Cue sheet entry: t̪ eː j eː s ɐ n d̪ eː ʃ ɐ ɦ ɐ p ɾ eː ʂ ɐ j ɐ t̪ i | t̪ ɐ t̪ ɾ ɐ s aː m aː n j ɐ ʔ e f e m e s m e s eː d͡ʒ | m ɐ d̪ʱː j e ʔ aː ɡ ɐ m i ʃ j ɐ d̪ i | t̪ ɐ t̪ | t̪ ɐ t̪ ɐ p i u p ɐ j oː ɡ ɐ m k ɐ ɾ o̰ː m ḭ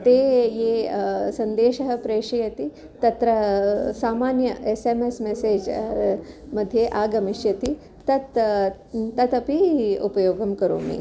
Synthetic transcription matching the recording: t̪ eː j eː s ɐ n d̪ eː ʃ ɐ ɦ ɐ p ɾ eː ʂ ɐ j ɐ t̪ i | t̪ ɐ t̪ ɾ ɐ s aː m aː n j ɐ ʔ e s e m e s m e s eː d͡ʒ | m ɐ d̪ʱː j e ʔ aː ɡ ɐ m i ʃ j ɐ t̪ i | t̪ ɐ t̪ | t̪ ɐ t̪ ɐ p i u p ɐ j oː ɡ ɐ m k ɐ ɾ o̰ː m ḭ